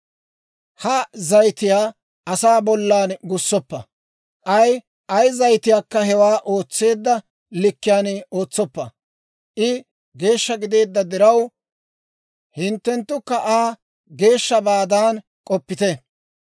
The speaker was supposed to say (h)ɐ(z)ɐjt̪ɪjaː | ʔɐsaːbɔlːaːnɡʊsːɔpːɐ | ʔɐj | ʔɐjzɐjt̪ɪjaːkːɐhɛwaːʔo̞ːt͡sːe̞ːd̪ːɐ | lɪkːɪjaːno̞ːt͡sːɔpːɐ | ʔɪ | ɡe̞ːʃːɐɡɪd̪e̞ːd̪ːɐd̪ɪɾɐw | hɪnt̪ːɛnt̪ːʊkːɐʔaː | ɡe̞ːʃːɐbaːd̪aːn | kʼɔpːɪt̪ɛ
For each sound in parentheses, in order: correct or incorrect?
correct, correct

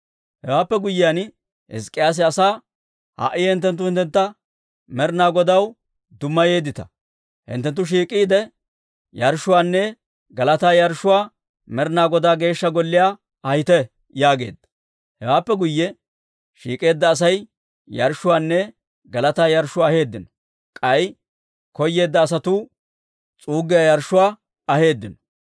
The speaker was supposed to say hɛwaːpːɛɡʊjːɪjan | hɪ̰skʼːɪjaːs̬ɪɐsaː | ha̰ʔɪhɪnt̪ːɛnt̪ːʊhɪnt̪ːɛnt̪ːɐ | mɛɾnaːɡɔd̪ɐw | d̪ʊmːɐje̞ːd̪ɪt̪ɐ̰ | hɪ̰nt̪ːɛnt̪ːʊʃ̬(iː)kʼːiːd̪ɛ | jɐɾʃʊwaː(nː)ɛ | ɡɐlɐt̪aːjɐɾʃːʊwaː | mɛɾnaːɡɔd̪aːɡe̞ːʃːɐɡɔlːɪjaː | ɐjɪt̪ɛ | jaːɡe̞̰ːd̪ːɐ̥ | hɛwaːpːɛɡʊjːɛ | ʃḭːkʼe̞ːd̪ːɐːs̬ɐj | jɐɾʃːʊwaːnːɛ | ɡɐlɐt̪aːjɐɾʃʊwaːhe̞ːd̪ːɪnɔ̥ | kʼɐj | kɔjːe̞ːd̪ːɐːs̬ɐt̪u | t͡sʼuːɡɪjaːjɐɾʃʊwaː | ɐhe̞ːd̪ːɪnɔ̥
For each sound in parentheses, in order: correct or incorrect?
correct, correct

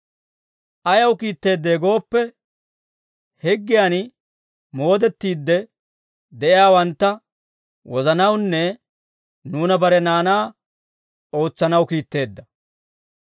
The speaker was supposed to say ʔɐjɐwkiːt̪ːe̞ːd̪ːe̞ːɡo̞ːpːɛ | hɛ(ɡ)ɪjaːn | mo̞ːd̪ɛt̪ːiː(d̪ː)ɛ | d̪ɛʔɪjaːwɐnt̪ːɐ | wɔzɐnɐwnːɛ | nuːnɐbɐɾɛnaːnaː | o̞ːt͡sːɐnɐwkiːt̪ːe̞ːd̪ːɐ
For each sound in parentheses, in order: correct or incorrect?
incorrect: ɡː, correct

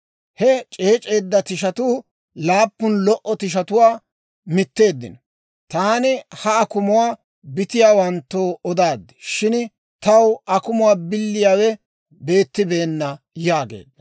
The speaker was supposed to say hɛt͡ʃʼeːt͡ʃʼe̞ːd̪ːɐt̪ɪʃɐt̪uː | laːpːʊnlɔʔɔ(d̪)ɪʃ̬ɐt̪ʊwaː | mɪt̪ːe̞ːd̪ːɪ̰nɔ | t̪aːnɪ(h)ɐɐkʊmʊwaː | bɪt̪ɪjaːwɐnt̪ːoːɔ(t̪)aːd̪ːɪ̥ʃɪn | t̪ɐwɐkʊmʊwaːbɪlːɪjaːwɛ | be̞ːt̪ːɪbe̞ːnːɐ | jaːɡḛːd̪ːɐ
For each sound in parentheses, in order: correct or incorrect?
incorrect: t̪, correct, incorrect: d̪

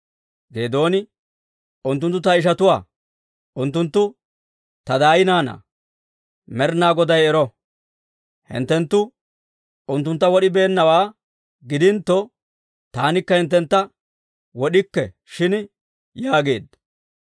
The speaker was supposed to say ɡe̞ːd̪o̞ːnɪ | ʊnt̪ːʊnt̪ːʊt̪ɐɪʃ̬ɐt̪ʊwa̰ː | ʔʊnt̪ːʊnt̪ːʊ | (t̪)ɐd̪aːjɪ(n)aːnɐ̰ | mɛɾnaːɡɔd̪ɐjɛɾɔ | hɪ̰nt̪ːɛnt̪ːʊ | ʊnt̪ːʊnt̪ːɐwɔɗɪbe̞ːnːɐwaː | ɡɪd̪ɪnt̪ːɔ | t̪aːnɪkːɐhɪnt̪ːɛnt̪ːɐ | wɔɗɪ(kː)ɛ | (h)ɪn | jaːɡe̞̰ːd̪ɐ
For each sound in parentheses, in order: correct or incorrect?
correct, correct, correct, incorrect: ʃ

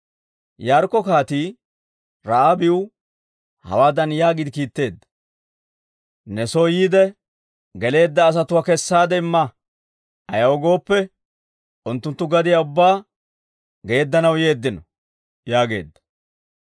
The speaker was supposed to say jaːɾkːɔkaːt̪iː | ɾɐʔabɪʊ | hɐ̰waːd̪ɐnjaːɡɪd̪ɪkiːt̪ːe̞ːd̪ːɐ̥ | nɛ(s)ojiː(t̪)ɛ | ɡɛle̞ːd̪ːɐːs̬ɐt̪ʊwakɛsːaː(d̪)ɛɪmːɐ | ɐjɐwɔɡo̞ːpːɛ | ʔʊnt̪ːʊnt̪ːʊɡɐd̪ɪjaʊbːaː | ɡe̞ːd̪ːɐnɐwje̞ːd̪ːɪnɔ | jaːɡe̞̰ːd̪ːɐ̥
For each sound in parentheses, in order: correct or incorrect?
correct, incorrect: d̪, correct

